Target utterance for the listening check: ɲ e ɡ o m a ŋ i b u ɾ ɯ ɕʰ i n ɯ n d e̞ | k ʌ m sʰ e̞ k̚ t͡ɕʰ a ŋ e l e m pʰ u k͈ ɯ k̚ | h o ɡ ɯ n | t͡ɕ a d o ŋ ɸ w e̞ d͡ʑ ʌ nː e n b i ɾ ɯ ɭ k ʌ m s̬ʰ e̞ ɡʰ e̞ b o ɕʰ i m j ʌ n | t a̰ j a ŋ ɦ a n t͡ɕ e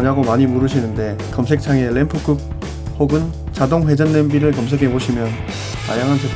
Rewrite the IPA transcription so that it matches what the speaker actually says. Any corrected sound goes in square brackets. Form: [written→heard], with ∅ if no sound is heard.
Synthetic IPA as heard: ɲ [e→a] ɡ o m a [ŋ→ɲ] i [b→m] u ɾ ɯ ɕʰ i n ɯ n d e̞ | k ʌ m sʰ e̞ k̚ t͡ɕʰ a ŋ e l e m pʰ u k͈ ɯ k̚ | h o ɡ ɯ n | t͡ɕ a d o ŋ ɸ w e̞ d͡ʑ ʌ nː e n b i ɾ ɯ ɭ k ʌ m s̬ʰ e̞ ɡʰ e̞ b o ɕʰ i m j ʌ n | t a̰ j a ŋ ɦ a n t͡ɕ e